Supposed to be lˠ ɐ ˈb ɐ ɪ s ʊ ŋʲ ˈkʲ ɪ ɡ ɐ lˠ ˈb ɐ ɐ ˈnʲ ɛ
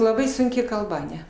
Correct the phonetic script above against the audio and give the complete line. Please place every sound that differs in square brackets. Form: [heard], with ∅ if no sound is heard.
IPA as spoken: lˠ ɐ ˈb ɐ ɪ s ʊ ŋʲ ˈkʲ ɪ [k] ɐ lˠ ˈb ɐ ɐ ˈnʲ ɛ